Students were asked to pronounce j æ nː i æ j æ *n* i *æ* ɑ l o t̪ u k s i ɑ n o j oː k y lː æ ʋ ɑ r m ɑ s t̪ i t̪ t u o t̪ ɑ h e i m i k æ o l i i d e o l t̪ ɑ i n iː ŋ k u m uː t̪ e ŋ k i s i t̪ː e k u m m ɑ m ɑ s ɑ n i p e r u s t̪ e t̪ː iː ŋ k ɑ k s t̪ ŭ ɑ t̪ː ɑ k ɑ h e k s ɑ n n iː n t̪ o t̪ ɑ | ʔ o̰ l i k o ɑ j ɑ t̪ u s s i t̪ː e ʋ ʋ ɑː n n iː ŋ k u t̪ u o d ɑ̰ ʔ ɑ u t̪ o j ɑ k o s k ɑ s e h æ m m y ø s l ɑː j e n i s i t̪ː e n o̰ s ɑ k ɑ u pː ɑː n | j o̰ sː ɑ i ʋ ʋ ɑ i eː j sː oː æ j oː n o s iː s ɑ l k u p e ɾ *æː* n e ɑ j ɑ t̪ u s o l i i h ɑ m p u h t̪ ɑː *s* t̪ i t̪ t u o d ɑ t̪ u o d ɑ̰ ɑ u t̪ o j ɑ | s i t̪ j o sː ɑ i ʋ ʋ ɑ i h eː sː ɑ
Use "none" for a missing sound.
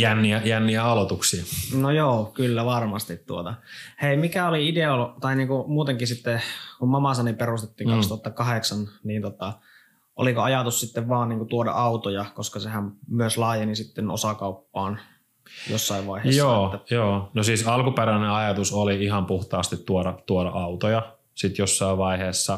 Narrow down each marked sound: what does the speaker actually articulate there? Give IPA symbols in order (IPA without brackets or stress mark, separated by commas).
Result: nː, æ, æ, s